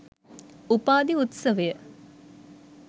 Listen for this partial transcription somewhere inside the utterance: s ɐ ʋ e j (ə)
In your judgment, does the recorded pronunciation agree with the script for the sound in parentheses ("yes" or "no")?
yes